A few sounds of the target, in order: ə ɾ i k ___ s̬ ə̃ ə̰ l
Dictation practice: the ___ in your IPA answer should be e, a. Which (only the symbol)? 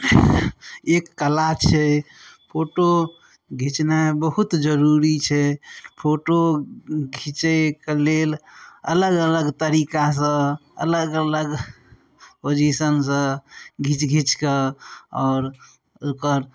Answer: a